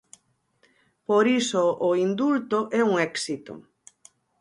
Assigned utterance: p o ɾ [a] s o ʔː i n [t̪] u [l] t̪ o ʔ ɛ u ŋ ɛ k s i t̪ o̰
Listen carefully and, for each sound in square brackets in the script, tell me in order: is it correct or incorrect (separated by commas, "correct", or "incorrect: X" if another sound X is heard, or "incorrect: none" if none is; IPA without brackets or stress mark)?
incorrect: i, incorrect: d̪, correct